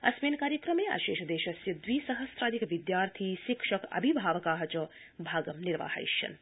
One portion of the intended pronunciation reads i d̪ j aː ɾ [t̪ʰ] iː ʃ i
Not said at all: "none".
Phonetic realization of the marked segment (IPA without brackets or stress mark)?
t̪ʰ